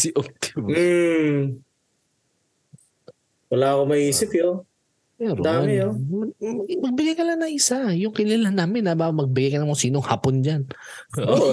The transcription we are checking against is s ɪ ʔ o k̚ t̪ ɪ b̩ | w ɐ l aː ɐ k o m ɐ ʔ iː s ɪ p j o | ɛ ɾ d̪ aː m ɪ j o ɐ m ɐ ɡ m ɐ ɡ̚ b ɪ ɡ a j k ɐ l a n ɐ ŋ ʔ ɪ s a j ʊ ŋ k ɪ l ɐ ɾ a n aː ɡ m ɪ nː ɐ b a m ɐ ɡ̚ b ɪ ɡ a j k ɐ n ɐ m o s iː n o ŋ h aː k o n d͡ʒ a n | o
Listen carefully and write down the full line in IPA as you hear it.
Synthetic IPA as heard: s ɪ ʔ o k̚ t̪ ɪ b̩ | w ɐ l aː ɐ k o m ɐ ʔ iː s ɪ p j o | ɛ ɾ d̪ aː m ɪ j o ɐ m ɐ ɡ m ɐ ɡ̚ b ɪ ɡ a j k ɐ l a n ɐ ŋ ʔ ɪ s a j ʊ ŋ k ɪ l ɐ l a n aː m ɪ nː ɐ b a m ɐ ɡ̚ b ɪ ɡ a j k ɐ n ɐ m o s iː n o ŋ h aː p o n d͡ʒ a n | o